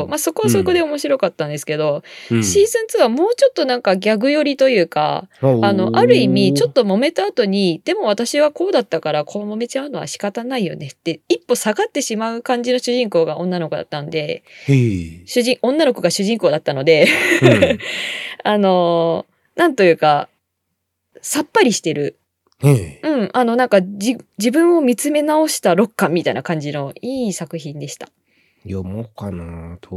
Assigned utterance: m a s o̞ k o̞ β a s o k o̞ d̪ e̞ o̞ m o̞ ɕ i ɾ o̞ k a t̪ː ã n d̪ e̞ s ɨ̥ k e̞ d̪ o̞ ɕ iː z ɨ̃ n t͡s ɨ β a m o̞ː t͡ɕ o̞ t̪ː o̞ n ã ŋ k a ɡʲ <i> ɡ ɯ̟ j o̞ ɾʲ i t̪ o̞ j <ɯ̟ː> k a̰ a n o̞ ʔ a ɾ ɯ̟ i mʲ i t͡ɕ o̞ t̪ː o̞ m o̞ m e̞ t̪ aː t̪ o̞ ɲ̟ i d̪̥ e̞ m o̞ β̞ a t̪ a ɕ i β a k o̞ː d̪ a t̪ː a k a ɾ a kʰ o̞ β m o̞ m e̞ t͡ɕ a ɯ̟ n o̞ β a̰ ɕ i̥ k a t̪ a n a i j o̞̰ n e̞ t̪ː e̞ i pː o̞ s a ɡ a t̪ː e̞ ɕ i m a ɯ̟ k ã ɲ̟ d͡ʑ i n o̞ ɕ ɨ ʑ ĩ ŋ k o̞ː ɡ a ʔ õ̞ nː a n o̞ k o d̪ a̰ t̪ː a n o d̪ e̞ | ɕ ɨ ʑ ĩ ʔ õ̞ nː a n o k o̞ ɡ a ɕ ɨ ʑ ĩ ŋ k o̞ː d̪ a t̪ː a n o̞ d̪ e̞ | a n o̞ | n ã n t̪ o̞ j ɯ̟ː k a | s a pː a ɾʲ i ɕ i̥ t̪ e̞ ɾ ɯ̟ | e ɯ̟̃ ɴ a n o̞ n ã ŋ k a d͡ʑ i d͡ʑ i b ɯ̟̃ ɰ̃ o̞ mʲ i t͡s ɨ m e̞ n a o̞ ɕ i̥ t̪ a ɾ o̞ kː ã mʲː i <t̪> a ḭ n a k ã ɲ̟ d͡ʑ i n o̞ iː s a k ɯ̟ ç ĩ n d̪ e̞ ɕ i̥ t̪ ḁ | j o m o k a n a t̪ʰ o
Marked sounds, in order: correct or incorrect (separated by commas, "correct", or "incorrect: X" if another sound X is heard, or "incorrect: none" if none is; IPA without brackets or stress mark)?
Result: incorrect: a, correct, correct